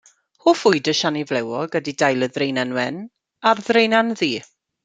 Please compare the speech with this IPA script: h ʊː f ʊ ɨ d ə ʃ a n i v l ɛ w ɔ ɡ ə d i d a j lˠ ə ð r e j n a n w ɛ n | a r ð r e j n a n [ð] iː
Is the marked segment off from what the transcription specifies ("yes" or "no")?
no